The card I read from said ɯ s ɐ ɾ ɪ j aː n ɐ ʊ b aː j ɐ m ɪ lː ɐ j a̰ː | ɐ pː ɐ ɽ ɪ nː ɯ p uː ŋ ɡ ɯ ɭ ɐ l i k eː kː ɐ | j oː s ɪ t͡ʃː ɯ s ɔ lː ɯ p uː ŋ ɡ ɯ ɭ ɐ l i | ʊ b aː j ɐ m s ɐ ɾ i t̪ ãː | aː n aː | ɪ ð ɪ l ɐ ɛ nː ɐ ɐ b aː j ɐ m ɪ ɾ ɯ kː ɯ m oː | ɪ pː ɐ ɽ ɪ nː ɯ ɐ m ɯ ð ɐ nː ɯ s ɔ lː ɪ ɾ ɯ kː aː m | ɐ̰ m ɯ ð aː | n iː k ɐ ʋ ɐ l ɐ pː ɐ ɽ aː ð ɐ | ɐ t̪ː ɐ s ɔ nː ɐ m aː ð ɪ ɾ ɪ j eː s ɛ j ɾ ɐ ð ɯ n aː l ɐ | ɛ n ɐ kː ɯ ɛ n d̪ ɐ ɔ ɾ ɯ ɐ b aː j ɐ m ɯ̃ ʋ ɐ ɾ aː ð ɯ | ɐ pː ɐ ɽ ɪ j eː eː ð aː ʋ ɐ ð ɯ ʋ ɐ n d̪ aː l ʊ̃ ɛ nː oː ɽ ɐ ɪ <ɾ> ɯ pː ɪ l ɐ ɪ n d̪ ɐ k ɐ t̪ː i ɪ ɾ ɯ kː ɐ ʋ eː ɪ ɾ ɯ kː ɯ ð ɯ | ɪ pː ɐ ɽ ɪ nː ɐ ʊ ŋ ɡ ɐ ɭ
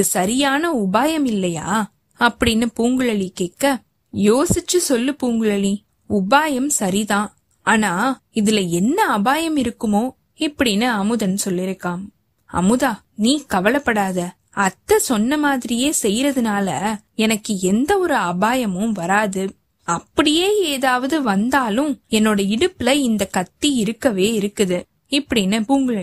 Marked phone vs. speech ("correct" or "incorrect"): incorrect